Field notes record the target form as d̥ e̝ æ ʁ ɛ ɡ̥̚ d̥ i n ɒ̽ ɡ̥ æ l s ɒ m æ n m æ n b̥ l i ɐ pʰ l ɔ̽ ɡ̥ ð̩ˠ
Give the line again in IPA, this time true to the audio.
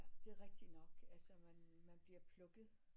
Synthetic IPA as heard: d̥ e̝ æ ʁ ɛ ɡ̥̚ d̥ i n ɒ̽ ɡ̥ æ l s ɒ m æ n m æ n b̥ l i ɐ pʰ l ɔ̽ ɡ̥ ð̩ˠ